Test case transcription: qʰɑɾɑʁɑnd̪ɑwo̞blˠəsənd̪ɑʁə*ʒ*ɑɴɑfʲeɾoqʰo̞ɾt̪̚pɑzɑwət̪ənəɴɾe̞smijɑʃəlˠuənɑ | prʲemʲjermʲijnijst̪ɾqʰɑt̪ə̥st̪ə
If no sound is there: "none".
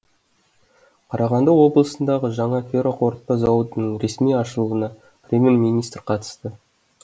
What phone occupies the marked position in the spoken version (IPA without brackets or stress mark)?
ʒ